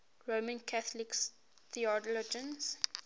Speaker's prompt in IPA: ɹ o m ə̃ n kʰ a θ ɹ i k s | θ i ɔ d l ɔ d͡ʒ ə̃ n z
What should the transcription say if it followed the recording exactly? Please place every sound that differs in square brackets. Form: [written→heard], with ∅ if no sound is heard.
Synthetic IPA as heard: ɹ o m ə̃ n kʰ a θ [ɹ→l] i k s | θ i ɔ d l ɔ d͡ʒ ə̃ n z